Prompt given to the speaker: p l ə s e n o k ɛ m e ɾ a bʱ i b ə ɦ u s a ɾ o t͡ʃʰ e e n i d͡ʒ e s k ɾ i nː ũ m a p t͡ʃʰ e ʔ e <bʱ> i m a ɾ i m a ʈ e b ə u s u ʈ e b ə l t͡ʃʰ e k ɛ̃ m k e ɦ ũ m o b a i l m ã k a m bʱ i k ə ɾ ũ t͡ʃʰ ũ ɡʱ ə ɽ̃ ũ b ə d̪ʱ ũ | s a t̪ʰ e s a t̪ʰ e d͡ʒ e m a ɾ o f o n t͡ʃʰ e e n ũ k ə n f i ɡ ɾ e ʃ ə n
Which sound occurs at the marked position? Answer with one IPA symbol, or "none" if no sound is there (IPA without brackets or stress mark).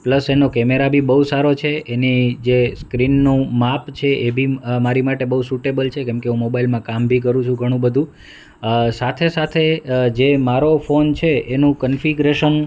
bʱ